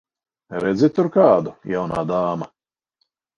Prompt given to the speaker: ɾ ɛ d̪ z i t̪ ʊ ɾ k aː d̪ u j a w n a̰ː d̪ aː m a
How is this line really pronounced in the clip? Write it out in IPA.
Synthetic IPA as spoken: ɾ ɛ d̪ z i t̪ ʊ ɾ k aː d̪ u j a w n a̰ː d̪ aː m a